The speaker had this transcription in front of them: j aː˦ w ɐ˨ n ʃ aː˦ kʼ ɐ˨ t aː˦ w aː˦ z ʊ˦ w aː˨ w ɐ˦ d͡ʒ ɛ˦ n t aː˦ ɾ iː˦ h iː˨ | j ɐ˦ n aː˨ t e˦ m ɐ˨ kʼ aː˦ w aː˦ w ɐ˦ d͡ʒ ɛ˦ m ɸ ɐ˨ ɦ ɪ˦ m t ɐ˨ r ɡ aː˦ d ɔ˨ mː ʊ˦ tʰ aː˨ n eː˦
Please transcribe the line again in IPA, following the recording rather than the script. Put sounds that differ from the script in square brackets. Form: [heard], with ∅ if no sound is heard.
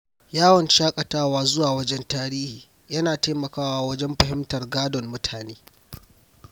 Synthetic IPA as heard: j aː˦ w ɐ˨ n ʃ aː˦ kʼ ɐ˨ t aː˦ w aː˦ z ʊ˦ w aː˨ w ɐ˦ d͡ʒ ɛ˦ n t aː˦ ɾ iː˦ h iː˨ | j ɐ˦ n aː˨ t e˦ m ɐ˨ [k] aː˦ w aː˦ w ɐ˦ d͡ʒ ɛ˦ m ɸ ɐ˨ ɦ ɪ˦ m t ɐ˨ r ɡ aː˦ d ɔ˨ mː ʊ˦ tʰ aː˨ n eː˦

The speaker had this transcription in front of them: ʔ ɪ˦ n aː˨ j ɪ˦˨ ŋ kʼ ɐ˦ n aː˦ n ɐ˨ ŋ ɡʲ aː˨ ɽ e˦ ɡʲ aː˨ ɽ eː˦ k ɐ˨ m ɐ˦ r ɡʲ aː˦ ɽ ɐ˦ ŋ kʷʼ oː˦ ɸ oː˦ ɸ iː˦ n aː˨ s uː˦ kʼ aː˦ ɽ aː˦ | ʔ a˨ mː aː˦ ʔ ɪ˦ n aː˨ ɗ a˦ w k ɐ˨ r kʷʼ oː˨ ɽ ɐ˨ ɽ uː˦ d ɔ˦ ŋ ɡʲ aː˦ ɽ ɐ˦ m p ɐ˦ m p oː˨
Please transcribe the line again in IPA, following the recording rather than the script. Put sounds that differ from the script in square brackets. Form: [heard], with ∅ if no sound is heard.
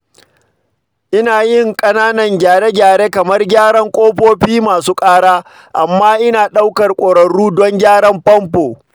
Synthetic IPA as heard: ʔ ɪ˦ n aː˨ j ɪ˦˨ ŋ kʼ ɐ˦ n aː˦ n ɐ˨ ŋ ɡʲ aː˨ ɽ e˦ ɡʲ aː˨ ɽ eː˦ k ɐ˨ m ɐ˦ r ɡʲ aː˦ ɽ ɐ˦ ŋ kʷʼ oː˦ ɸ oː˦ ɸ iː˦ [m] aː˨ s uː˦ kʼ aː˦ ɽ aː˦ | ʔ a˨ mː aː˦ ʔ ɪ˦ n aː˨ ɗ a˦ w k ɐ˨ r kʷʼ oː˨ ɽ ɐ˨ ɽ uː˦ d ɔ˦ ŋ ɡʲ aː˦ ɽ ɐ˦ m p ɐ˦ m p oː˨

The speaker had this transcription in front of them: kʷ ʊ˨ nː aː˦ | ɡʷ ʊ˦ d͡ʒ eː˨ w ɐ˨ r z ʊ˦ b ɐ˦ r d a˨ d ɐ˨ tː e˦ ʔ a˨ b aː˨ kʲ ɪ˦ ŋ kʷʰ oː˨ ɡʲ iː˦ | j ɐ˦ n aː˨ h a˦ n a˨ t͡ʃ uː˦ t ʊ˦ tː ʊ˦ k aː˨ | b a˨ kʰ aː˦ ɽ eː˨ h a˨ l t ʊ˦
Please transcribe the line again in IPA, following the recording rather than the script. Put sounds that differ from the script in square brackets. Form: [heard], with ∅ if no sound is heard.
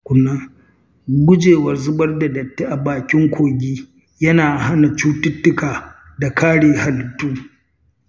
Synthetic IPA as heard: kʷ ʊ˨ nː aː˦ | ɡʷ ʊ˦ d͡ʒ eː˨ w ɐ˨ r z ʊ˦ b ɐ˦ r d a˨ d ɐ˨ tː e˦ ʔ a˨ b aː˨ kʲ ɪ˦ ŋ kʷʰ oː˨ ɡʲ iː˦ | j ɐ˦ n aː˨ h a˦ n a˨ t͡ʃ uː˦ t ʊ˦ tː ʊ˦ k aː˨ | [d] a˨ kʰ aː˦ ɽ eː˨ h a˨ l t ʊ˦

